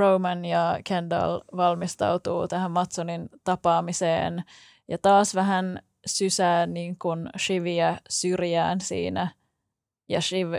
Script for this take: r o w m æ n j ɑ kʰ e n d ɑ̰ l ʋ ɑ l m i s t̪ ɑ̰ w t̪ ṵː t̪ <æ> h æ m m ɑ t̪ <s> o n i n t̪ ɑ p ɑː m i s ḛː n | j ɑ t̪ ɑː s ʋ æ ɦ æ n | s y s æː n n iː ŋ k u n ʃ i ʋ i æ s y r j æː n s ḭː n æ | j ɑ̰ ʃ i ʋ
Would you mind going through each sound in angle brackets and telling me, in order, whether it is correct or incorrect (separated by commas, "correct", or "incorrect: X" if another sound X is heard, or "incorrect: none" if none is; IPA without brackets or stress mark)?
correct, correct